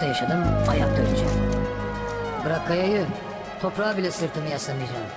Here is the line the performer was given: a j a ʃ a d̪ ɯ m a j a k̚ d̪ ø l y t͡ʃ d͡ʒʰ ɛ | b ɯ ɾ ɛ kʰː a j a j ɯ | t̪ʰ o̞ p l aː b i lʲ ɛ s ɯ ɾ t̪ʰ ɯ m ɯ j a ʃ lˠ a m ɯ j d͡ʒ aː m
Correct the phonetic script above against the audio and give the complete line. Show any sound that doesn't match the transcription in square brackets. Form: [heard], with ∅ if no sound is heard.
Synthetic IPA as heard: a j a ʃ a d̪ ɯ m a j a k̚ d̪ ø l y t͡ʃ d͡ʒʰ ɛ | b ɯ ɾ [a] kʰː a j a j ɯ | t̪ʰ o̞ p [ɾ] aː b i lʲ ɛ s ɯ ɾ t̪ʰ ɯ m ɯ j a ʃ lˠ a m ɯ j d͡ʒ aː m